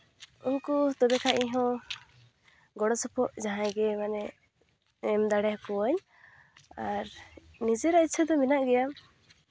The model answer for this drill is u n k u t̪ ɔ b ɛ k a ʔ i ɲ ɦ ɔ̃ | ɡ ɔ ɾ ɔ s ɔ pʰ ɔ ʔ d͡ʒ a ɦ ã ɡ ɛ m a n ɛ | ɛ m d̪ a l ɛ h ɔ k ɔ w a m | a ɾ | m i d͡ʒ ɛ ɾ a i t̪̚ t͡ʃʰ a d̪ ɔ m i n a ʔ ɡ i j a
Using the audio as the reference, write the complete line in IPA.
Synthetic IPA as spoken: u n k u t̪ ɔ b ɛ k a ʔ i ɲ ɦ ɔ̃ | ɡ ɔ ɽ ɔ s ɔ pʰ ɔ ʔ d͡ʒ a ɦ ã ɡ ɛ m a n ɛ | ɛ m d̪ a ɽ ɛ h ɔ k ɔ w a ɲ | a ɾ | n i d͡ʒ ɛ ɾ a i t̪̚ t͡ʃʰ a d̪ ɔ m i n a ʔ ɡ ɛ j a